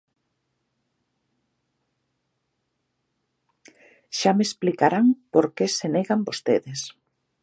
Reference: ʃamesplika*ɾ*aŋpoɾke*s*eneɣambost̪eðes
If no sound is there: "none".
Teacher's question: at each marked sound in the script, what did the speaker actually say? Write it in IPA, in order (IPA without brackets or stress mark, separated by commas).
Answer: ɾ, s